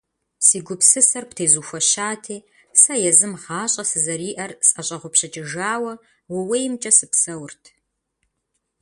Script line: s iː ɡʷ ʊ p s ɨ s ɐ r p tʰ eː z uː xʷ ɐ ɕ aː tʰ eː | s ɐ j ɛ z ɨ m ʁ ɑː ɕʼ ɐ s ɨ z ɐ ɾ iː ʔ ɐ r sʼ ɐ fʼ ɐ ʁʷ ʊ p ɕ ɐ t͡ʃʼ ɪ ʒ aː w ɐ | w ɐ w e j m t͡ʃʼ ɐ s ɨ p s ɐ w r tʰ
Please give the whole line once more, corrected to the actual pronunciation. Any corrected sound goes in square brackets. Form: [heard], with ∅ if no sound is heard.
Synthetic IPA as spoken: s iː ɡʷ ʊ p s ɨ s ɐ r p tʰ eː z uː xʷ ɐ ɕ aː tʰ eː | s ɐ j ɛ z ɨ m ʁ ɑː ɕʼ ɐ s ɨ z ɐ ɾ iː ʔ ɐ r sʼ ɐ [ɕʼ] ɐ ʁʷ ʊ p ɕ ɐ t͡ʃʼ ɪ ʒ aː w ɐ | w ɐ w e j m t͡ʃʼ ɐ s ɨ p s ɐ w r tʰ